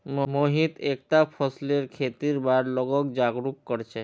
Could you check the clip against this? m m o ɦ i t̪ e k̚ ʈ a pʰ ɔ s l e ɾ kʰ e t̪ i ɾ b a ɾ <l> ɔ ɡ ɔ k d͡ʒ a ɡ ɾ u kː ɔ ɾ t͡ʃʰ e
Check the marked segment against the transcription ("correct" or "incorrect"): correct